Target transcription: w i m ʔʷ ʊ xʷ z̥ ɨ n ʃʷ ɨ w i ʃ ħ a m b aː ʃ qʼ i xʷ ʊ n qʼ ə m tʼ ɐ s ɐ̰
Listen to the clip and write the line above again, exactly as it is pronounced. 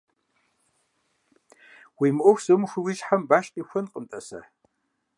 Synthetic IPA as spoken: w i m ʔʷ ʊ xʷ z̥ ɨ m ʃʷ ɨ w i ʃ ħ a m b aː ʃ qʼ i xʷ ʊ n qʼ ə m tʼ ɐ s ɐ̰